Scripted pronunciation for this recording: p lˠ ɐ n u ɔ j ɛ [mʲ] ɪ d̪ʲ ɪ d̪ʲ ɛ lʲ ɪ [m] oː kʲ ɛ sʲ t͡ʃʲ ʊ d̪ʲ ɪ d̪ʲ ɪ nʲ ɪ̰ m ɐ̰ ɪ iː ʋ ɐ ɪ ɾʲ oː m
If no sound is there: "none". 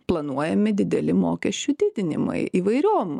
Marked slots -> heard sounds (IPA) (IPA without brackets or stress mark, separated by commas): mʲ, m